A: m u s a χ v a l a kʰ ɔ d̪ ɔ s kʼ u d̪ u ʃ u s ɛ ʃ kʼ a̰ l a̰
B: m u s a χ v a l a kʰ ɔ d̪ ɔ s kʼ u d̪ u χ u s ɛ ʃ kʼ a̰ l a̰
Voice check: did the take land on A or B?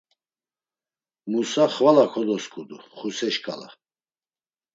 B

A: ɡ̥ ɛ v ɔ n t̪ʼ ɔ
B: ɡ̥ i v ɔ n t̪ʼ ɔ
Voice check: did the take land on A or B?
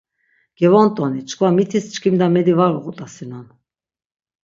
A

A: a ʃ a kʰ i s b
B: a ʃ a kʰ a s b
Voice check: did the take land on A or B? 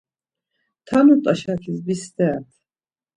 A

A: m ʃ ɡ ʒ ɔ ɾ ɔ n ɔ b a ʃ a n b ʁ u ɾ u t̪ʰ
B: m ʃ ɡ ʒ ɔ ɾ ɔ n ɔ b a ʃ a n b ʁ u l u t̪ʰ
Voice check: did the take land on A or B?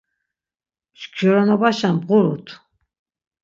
A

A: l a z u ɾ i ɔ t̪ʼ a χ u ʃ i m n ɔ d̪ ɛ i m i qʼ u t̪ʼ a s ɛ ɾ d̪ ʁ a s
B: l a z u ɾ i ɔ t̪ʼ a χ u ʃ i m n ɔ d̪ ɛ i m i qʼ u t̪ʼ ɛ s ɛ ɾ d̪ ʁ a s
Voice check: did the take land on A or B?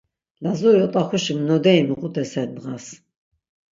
B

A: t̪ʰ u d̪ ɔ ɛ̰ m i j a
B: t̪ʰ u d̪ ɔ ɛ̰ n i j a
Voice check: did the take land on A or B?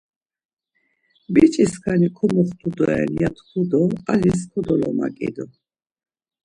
B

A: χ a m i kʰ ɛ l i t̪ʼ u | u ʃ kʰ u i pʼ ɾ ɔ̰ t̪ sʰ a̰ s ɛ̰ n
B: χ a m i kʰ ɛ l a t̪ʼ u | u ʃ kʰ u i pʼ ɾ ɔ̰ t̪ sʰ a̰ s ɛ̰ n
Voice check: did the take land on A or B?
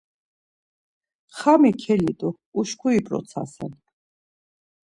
A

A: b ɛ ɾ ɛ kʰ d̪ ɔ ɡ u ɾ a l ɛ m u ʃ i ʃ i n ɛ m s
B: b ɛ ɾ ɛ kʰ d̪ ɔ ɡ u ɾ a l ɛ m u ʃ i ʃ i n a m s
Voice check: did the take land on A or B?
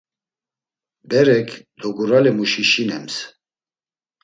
A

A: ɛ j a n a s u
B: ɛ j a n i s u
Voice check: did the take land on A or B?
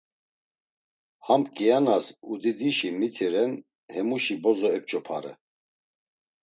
A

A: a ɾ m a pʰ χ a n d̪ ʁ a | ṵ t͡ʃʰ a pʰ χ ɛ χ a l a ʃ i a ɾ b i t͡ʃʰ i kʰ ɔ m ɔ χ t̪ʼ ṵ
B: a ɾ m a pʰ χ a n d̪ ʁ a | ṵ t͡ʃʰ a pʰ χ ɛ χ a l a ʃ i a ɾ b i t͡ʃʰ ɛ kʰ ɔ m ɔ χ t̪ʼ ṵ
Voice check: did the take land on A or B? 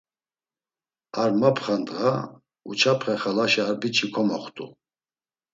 A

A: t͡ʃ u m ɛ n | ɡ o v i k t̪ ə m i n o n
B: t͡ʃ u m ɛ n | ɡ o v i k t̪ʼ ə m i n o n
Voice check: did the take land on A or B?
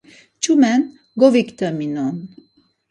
A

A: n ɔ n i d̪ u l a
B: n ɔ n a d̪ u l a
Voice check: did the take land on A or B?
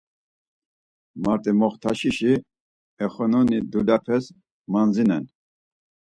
A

